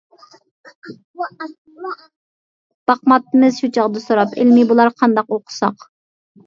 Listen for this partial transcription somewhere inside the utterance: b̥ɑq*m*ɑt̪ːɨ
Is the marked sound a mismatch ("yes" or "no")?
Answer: no